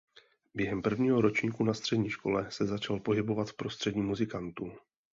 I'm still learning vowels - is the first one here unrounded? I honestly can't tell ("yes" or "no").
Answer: yes